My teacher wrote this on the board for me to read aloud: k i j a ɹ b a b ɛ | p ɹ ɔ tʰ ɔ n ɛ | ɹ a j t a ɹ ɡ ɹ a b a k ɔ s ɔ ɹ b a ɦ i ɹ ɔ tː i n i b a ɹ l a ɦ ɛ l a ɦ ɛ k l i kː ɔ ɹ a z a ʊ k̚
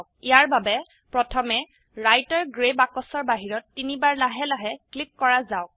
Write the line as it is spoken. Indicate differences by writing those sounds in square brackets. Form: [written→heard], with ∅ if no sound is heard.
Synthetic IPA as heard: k i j a ɹ b a b ɛ | p ɹ ɔ tʰ ɔ [n→m] ɛ | ɹ a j t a ɹ ɡ ɹ [a→e] b a k ɔ s ɔ ɹ b a ɦ i ɹ ɔ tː i n i b a ɹ l a ɦ ɛ l a ɦ ɛ k l i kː ɔ ɹ a z a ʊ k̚